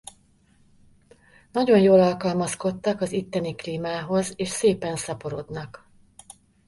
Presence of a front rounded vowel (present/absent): absent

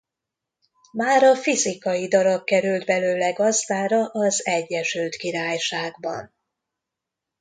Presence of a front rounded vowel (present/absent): present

